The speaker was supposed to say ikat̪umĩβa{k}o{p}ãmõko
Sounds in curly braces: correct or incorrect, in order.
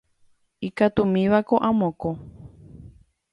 correct, incorrect: ʔ

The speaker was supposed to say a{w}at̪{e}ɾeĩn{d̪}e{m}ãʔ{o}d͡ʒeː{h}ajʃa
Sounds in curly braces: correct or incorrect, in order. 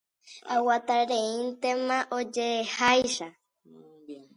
correct, incorrect: a, incorrect: t̪, correct, correct, correct

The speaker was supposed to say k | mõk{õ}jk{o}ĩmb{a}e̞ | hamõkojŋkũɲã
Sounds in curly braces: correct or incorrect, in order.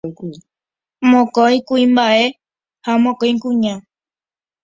incorrect: o, incorrect: u, correct

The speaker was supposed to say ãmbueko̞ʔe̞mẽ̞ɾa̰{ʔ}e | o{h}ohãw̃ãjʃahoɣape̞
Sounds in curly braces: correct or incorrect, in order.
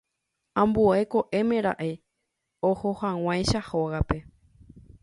correct, correct

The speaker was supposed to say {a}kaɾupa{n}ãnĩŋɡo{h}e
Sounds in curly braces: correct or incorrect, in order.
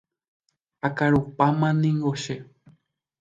correct, incorrect: m, incorrect: ʃ

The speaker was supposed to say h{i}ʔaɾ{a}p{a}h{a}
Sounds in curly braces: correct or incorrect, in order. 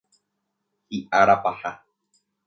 correct, correct, correct, correct

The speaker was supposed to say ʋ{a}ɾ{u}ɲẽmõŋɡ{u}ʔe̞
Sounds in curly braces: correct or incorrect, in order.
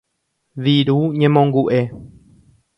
incorrect: i, correct, correct

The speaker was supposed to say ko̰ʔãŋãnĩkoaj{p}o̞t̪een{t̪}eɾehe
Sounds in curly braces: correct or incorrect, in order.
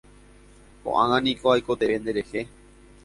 incorrect: k, incorrect: d̪

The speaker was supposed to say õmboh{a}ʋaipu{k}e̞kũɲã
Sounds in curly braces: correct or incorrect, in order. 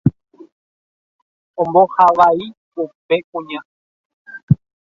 correct, incorrect: p

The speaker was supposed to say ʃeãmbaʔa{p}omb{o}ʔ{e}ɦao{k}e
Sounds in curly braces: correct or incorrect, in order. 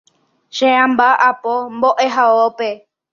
correct, correct, correct, incorrect: p

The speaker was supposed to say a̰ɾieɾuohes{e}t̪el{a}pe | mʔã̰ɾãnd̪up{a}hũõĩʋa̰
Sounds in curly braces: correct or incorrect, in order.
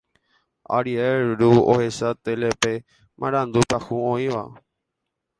incorrect: a, incorrect: e, correct

